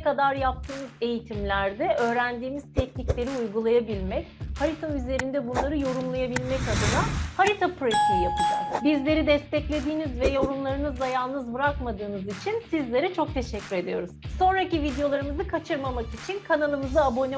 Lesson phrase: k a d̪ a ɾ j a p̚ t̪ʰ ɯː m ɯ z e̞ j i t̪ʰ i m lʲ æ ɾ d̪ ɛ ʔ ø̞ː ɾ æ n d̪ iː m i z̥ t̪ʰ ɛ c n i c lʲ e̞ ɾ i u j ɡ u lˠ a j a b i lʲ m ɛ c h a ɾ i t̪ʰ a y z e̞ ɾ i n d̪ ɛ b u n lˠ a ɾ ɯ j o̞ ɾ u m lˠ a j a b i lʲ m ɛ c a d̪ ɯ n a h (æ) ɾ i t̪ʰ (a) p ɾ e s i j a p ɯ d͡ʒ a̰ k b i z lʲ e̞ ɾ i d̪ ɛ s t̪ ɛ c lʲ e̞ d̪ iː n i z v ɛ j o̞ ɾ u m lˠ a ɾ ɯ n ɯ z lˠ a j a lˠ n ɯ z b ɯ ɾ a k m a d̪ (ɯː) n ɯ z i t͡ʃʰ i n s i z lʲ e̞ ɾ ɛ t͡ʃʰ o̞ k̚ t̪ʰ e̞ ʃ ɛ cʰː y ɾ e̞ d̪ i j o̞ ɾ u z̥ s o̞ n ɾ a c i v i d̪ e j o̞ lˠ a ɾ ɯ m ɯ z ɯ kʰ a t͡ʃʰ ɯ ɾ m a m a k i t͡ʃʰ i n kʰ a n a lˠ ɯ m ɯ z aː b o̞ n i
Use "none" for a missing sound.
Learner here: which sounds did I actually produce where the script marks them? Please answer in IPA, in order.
a, a, ɯː

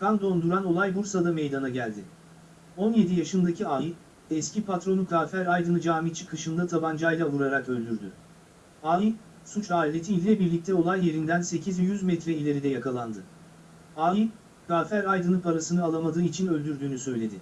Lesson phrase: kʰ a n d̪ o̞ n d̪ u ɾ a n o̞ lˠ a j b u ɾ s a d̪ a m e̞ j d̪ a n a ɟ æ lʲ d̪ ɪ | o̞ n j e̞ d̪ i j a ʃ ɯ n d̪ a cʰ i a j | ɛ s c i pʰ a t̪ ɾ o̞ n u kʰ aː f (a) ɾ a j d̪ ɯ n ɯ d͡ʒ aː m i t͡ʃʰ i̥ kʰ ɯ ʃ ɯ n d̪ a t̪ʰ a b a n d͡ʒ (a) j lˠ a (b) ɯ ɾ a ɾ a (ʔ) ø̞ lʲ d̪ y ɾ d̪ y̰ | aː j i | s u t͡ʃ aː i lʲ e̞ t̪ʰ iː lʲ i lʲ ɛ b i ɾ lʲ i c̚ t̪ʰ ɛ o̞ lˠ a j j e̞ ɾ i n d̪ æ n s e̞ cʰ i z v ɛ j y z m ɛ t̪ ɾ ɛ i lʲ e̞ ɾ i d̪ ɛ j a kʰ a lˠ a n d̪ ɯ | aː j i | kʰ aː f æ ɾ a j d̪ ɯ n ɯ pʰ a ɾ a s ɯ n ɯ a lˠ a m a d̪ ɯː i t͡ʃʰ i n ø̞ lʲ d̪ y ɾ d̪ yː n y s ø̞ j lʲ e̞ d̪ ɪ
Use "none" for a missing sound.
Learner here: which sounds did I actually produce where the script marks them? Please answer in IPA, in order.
æ, a, v, k

